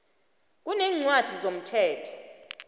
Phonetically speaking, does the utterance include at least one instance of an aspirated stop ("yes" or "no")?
yes